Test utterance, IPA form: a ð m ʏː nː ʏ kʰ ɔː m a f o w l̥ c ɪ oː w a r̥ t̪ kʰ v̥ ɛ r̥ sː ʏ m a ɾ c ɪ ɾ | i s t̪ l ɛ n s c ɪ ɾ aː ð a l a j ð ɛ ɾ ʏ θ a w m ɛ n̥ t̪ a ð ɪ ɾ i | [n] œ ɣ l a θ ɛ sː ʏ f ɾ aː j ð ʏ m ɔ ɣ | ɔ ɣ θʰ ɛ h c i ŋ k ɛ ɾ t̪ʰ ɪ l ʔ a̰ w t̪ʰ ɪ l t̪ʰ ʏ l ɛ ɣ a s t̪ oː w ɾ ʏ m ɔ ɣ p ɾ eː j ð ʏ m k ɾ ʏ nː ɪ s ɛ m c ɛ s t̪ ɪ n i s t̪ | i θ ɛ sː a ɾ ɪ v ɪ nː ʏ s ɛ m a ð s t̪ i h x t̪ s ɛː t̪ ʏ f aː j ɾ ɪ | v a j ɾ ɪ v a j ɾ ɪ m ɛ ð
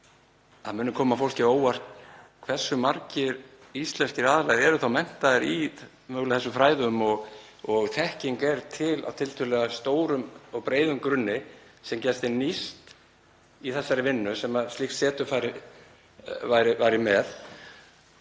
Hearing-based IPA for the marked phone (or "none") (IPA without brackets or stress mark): m